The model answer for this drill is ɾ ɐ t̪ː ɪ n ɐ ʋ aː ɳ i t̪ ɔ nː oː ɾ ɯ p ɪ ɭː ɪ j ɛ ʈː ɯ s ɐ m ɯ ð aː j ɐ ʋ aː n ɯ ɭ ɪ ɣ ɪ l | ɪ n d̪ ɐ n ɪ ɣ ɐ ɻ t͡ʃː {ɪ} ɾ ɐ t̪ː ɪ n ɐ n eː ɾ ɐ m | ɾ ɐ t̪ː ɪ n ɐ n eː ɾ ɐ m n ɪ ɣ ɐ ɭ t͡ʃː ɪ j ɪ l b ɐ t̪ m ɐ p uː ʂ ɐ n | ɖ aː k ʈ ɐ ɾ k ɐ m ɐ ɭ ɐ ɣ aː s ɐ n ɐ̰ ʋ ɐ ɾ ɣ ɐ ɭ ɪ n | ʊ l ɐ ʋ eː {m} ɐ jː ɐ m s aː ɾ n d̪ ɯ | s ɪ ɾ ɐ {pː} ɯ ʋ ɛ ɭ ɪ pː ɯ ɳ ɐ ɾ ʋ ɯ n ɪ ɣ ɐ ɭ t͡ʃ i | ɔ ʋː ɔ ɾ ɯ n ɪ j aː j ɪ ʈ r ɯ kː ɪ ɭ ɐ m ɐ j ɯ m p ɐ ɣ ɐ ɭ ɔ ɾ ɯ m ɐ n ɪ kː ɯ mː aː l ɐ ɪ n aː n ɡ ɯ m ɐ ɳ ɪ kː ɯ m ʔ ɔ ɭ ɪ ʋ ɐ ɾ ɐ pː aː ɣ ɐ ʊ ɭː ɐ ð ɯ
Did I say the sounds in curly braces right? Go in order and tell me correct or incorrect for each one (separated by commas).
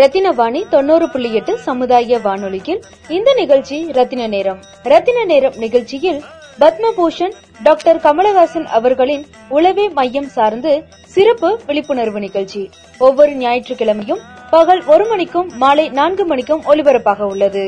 incorrect, correct, correct